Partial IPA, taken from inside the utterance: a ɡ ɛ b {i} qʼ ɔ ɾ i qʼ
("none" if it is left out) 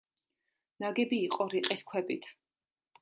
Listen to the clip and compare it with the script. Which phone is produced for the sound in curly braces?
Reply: iː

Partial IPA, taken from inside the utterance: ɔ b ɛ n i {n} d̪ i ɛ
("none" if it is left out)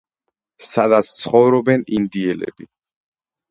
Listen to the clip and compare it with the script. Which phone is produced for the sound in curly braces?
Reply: n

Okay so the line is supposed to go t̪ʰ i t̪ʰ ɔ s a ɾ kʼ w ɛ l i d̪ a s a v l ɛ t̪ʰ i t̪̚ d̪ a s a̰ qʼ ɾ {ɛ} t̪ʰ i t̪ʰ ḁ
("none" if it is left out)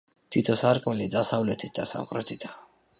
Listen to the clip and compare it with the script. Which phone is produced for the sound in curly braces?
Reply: ɛ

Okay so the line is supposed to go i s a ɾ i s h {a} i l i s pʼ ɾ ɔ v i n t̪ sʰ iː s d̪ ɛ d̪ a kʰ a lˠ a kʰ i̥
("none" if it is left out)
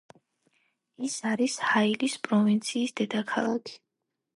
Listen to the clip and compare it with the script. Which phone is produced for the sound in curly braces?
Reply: a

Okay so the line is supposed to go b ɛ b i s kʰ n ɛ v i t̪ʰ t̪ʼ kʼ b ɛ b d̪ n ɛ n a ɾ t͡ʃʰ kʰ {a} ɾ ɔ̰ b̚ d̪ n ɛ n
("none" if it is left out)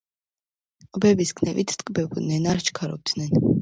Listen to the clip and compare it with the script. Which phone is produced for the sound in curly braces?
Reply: a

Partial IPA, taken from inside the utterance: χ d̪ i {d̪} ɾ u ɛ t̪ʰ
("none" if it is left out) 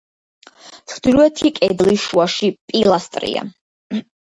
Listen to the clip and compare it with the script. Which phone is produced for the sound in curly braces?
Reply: none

